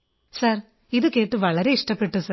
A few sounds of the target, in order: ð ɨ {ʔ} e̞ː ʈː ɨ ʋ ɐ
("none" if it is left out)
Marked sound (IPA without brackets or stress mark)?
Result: k